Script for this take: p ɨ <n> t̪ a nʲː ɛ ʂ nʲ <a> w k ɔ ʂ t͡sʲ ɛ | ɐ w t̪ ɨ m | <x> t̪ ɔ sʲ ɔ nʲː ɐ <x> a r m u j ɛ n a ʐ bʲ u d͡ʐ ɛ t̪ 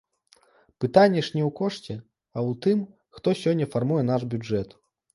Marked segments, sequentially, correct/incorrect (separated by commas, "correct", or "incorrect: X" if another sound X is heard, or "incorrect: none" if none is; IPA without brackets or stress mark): incorrect: none, incorrect: ɛ, correct, incorrect: f